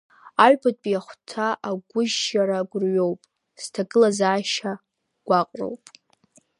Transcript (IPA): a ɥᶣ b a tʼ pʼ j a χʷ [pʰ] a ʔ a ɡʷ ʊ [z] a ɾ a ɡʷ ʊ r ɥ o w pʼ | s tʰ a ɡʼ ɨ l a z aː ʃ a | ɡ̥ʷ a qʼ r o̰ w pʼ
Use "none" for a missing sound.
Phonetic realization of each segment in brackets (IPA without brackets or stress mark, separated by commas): tʰ, ʒ